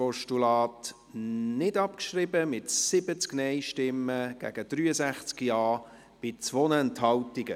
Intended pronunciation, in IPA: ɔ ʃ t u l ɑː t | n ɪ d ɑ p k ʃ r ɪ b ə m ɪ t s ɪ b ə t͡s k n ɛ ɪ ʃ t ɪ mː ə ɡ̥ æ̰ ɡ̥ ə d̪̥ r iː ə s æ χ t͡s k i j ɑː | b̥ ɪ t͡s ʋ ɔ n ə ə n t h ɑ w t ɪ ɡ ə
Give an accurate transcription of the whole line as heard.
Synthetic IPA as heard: ɔ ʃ t u l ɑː t | n ɪ d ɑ p k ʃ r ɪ b ə m ɪ t s ɪ b ə t͡s k n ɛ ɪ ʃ t ɪ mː ə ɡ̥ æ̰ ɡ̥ ə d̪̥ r yː ə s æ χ t͡s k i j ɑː | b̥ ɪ t͡s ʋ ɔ n ə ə n t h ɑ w t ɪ ɡ ə